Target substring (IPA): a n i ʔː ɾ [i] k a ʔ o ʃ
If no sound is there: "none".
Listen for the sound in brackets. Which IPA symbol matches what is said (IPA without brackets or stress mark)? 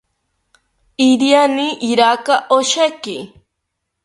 a